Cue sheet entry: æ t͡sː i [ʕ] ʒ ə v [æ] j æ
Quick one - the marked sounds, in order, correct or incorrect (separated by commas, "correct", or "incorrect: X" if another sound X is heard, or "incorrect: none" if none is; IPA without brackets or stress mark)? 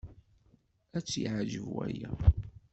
correct, correct